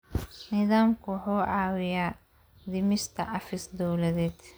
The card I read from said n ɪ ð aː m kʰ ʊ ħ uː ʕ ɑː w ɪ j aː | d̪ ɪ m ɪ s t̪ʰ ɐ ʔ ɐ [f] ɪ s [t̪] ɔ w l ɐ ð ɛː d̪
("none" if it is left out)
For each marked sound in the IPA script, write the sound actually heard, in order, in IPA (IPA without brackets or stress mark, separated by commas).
f, d̪